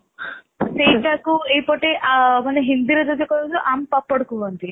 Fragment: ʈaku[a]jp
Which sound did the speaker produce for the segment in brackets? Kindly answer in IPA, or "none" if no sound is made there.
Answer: e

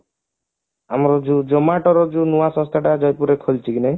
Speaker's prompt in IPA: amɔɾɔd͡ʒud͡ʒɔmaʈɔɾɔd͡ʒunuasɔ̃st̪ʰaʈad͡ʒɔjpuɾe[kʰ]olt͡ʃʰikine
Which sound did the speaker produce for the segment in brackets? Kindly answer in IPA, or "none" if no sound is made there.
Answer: kʰ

